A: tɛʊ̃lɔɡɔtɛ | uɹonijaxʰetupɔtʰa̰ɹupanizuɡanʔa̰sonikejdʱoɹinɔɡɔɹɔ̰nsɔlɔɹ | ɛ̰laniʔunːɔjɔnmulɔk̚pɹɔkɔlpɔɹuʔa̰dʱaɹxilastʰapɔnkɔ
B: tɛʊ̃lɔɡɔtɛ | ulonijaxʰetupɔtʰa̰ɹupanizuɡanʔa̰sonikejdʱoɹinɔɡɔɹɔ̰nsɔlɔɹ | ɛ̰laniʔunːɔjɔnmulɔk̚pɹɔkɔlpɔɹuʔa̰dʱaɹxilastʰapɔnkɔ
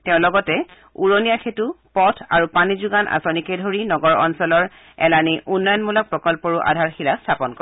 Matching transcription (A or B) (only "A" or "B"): A